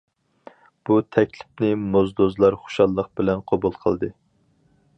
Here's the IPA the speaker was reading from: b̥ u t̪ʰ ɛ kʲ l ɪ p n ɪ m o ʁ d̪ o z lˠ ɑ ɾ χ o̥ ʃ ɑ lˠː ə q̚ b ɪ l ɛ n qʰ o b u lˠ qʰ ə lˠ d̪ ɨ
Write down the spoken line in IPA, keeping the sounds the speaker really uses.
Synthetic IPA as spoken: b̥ u t̪ʰ ɛ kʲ l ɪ p n ɪ m o z d̪ o z lˠ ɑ ɾ χ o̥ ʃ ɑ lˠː ə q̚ b ɪ l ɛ n qʰ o b u lˠ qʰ ə lˠ d̪ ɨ